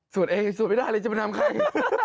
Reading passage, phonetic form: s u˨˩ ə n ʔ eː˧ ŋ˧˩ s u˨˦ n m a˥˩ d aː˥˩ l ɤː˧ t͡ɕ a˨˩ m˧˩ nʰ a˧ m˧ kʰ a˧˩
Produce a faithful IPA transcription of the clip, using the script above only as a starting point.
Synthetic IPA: s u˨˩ ə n ʔ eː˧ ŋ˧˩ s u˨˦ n m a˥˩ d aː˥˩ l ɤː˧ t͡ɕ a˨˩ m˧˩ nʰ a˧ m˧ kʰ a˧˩

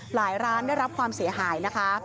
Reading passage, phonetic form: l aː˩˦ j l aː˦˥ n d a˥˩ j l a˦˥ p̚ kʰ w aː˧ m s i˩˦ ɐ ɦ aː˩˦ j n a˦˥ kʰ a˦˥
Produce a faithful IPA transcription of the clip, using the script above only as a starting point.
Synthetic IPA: l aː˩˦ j ɾ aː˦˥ n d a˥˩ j ɾ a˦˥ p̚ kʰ w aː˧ m s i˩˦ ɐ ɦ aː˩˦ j n a˦˥ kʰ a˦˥

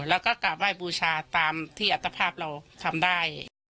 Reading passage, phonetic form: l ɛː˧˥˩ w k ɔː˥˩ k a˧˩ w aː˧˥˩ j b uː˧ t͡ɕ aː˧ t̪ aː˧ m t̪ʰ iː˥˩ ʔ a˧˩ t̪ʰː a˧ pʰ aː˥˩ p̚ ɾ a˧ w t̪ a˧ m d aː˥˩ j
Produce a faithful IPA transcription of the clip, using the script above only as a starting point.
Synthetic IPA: l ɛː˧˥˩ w k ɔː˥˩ k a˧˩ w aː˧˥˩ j b uː˧ t͡ɕʰ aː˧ t̪ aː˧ m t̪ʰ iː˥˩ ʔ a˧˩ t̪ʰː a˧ pʰ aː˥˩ p̚ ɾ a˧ w t̪ʰ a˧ m d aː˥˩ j

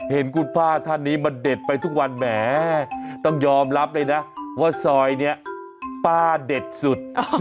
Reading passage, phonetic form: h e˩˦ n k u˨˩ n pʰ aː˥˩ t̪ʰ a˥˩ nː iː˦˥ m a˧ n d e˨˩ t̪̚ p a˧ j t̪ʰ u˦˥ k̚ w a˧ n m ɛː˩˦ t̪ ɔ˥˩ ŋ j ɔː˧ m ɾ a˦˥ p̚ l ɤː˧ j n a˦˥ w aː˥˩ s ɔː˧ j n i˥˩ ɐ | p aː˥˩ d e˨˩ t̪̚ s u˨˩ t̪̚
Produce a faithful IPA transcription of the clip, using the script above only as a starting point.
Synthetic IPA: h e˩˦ n k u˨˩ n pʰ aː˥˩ t̪ʰ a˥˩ nː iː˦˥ m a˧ n d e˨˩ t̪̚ p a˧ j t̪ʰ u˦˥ k̚ w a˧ n m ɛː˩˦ t̪ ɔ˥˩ ŋ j ɔː˧ m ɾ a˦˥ p̚ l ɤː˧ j n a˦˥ w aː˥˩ s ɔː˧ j n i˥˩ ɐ | p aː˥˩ d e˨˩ t̪̚ s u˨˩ t̪̚

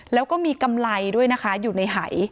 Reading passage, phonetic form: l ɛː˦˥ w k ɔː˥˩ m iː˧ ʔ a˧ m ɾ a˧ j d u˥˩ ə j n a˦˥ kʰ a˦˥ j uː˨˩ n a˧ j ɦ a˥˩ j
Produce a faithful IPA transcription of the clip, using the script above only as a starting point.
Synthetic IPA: l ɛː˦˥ w k ɔː˥˩ m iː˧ k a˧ m l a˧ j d u˥˩ ə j n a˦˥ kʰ a˦˥ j uː˨˩ n a˧ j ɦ a˩˦ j

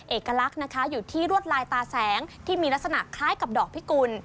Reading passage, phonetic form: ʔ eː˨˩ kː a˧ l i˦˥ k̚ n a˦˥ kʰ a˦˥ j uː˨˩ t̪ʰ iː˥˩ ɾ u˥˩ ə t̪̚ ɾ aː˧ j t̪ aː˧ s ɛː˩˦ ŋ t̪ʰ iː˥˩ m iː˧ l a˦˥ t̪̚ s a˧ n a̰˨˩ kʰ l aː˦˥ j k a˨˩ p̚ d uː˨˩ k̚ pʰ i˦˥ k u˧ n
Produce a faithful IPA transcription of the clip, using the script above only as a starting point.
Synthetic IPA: ʔ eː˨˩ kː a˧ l a˦˥ k̚ n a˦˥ kʰ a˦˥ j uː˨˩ t̪ʰ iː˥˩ ɾ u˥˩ ə t̪̚ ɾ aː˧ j t̪ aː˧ s ɛː˩˦ ŋ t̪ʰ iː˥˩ m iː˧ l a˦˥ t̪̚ s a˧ n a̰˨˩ kʰ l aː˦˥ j k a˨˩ p̚ d ɔː˨˩ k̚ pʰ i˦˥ k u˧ n

